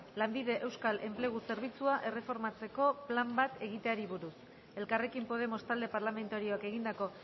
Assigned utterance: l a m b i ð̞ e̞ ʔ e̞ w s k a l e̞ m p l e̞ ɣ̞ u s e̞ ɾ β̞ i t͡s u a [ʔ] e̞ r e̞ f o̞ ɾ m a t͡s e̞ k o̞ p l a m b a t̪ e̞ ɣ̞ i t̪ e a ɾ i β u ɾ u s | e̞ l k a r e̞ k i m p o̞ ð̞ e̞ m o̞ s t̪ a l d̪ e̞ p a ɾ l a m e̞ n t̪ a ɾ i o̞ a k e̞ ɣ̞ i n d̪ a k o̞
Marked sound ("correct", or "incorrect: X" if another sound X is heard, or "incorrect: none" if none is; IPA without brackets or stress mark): correct